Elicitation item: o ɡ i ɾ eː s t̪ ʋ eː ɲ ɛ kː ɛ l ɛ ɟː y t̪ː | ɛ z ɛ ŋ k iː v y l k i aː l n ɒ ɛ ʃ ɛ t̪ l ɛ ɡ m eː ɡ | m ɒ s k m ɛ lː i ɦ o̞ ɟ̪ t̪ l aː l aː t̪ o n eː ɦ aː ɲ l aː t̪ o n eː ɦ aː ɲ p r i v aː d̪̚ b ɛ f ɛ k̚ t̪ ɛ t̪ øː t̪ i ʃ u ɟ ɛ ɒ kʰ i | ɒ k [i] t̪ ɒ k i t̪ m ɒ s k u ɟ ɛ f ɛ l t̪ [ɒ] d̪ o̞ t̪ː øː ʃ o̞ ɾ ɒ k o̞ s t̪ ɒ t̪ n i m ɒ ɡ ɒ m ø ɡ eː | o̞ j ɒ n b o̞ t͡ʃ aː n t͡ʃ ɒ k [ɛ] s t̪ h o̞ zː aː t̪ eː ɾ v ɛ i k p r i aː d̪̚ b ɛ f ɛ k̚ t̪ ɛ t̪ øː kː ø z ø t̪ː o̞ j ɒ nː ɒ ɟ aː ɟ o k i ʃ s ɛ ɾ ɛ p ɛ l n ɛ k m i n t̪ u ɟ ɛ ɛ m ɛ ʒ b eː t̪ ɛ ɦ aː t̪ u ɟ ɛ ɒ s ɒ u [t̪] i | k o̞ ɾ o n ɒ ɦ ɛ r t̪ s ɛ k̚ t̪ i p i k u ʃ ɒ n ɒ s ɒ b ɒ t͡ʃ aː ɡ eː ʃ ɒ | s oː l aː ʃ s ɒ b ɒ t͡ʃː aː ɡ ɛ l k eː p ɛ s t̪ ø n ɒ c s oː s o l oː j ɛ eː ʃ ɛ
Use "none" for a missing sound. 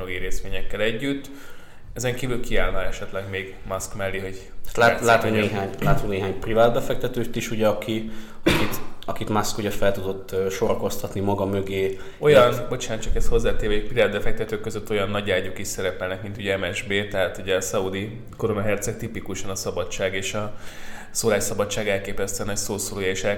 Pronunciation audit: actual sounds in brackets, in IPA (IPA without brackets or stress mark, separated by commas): i, u, ɛ, d̪